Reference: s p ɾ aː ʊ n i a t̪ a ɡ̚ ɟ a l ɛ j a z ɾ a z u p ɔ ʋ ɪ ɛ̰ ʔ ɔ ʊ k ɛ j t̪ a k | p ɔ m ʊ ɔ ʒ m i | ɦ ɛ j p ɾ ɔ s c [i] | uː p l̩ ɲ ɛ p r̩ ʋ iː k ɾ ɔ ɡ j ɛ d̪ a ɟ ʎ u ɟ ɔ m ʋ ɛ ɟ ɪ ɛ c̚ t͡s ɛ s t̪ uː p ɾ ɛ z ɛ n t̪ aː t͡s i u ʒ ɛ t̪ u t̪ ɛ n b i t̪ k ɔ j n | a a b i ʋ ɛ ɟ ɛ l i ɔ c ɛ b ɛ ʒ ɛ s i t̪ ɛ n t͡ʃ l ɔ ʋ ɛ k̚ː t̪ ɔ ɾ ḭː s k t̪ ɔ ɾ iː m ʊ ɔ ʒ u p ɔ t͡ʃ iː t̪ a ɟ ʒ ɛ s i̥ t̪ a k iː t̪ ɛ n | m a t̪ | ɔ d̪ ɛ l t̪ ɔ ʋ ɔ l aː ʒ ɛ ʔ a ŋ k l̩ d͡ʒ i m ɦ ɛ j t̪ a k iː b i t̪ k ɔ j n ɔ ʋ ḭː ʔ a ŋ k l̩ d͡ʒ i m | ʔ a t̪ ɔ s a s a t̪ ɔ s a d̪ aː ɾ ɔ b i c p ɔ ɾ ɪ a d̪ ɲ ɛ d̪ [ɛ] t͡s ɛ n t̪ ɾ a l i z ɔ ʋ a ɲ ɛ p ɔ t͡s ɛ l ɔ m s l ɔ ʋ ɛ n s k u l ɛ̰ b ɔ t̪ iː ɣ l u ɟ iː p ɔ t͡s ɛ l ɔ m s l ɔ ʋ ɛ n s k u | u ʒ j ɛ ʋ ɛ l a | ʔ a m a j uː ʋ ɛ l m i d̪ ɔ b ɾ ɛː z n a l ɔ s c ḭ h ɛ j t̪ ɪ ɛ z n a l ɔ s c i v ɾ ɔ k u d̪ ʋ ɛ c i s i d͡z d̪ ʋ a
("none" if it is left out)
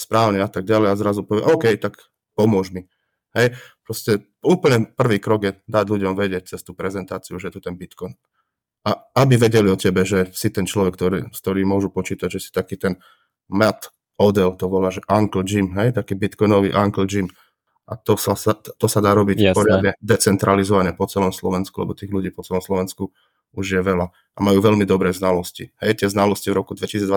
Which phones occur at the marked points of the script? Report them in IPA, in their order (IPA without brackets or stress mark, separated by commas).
ɛ, ɛ